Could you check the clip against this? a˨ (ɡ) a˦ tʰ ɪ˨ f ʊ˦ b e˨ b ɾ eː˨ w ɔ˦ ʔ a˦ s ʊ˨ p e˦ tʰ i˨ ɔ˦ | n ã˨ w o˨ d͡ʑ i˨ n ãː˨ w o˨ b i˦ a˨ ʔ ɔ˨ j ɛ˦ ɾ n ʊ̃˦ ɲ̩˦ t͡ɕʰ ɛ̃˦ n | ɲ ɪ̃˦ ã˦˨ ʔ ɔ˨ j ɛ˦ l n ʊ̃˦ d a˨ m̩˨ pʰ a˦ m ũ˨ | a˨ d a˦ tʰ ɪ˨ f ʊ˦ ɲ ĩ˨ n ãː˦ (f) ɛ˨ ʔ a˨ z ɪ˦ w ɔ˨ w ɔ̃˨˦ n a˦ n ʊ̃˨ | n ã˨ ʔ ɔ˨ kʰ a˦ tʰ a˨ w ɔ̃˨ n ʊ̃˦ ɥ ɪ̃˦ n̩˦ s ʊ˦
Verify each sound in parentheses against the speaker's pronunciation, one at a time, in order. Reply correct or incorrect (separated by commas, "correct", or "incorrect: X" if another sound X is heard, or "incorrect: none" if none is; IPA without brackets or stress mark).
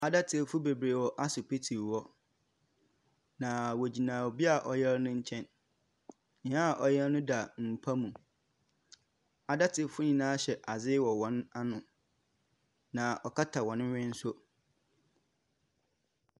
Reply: incorrect: d, incorrect: ɕ